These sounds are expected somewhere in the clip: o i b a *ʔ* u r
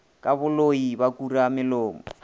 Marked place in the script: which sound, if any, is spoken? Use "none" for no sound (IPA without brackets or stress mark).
k